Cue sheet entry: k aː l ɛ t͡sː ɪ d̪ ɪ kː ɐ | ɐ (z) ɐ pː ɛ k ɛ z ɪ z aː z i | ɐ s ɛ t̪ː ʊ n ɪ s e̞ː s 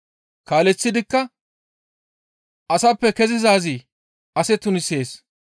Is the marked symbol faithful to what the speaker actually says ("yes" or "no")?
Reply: no